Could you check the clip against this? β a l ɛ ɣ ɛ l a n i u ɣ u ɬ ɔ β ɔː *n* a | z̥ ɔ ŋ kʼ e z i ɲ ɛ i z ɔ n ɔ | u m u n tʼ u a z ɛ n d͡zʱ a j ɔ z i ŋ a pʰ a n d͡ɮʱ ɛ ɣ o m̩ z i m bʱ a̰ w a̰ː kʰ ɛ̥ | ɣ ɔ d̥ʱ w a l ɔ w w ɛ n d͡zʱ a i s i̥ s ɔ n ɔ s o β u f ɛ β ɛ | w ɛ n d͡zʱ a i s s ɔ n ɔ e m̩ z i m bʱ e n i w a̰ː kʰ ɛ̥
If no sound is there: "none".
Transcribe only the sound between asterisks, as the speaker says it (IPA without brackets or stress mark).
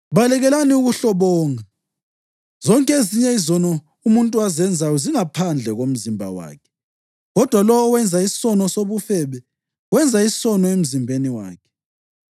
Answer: ŋ